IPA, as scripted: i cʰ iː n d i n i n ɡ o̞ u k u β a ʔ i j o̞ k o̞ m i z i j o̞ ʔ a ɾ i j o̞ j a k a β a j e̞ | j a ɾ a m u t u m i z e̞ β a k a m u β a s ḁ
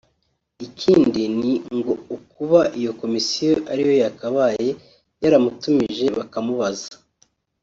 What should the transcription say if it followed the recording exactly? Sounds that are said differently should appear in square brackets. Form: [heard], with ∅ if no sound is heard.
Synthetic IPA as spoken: i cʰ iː n d i n i [ŋ] ɡ o̞ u k u β a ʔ i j o̞ k o̞ m i [s] i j o̞ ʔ a ɾ i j o̞ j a k a β a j e̞ | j a ɾ a m u t u m i [ʒ] e̞ β a k a m u β a [z] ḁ